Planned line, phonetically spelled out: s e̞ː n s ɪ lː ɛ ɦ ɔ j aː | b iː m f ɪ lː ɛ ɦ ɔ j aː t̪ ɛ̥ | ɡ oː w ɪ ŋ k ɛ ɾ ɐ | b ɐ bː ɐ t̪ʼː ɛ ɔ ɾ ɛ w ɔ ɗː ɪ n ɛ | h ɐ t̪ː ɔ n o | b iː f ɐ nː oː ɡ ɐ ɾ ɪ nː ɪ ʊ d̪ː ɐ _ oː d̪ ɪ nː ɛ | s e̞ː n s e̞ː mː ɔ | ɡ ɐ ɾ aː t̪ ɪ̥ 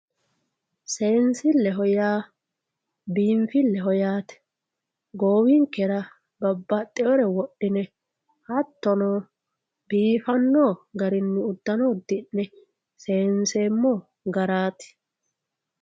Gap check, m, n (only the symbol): n